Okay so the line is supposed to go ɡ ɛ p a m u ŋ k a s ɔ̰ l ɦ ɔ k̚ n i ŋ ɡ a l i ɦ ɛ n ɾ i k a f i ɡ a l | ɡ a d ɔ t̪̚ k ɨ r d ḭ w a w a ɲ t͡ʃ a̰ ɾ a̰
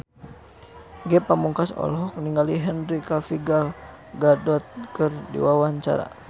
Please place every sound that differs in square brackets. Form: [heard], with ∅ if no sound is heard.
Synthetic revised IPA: ɡ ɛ p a m u ŋ k a s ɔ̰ l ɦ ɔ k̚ n i ŋ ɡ a l i ɦ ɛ n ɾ i k a f i ɡ a l | ɡ a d ɔ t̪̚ k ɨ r d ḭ w a w a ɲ t͡ʃ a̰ ɾ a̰